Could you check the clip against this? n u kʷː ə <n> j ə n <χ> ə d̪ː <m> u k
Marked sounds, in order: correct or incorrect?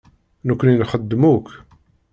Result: correct, correct, correct

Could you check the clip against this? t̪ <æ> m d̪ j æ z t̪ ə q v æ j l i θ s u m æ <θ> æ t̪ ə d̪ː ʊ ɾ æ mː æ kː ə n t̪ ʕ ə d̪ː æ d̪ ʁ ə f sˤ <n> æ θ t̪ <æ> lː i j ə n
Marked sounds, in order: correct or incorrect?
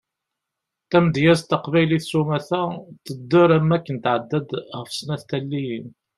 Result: correct, correct, correct, correct

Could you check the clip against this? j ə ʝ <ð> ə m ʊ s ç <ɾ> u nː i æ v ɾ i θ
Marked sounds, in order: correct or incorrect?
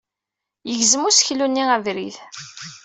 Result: incorrect: z, incorrect: l

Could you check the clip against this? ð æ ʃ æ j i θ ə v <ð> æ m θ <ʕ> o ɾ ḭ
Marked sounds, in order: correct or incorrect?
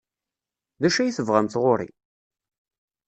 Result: incorrect: ʁ, incorrect: ʁ

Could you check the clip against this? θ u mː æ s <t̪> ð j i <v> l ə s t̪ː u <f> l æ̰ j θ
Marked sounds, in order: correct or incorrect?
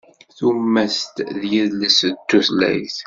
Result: correct, incorrect: ð, incorrect: θ

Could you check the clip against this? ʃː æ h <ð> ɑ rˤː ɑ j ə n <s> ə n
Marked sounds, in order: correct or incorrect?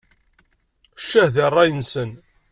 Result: correct, correct

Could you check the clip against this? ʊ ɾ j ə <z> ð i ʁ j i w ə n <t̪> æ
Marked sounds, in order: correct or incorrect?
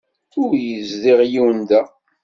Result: correct, incorrect: d̪

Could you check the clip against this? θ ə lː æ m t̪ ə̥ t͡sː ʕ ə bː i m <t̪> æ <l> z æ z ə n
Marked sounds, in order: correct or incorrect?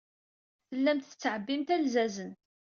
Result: correct, correct

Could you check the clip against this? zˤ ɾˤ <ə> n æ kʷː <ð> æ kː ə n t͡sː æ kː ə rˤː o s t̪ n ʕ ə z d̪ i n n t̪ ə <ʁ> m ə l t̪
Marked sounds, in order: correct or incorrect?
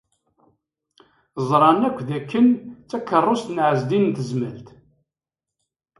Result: incorrect: ɑ, correct, incorrect: z

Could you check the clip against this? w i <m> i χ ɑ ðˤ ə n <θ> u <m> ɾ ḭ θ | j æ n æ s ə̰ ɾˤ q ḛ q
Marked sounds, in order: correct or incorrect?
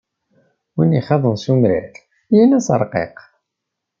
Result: incorrect: n, incorrect: s, correct

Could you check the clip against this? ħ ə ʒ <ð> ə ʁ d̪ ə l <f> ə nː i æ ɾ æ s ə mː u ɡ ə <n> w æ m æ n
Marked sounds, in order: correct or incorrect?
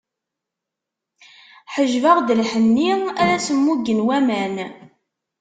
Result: incorrect: v, incorrect: ħ, correct

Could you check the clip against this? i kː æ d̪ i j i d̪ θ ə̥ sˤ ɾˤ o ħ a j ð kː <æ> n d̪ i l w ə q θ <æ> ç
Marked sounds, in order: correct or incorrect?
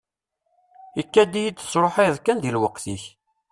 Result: correct, incorrect: i

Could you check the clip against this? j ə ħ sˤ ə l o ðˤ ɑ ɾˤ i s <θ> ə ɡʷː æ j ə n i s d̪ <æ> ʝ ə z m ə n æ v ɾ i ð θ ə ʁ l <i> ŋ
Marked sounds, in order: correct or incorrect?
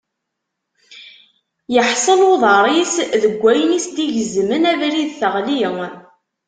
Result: incorrect: ð, incorrect: i, correct

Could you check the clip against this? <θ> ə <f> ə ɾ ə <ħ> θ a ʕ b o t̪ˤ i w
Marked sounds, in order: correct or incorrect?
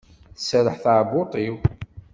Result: correct, incorrect: s, correct

